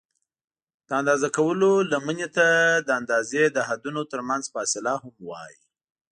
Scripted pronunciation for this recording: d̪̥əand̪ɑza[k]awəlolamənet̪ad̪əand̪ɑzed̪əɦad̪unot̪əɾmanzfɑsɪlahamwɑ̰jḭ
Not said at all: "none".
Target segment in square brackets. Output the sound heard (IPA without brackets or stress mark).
k